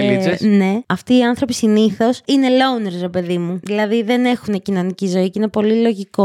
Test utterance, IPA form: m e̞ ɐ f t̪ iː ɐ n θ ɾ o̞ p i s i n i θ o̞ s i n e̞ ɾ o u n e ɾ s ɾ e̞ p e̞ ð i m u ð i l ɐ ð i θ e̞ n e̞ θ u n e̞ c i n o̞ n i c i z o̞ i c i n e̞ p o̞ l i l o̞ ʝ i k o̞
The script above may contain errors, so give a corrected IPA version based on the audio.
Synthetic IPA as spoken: n e̞ ɐ f t̪ iː ɐ n θ ɾ o̞ p i s i n i θ o̞ s i n e̞ l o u n e ɾ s ɾ e̞ p e̞ ð i m u ð i l ɐ ð i ð e̞ n e̞ x u n e̞ c i n o̞ n i c i z o̞ i c i n e̞ p o̞ l i l o̞ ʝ i k o̞